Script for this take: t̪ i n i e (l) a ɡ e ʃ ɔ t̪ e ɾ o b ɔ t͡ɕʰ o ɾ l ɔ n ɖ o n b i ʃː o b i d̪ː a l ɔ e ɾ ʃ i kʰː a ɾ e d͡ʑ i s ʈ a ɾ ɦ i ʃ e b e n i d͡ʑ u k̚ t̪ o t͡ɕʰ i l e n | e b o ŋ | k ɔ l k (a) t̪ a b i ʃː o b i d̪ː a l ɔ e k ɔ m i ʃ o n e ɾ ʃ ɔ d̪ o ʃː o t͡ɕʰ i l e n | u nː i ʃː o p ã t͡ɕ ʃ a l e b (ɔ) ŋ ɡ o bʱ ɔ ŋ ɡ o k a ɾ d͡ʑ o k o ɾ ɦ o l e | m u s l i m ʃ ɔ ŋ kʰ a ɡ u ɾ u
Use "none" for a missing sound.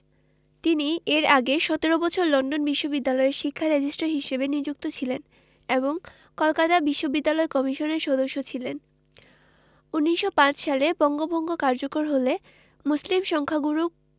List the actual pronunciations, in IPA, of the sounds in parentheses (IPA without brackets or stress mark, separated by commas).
ɾ, a, ɔ